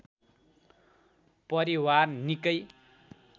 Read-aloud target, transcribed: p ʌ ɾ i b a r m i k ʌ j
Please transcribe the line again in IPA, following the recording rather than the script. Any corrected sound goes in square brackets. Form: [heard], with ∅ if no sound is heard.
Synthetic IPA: p ʌ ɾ i [w] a r [n] i k ʌ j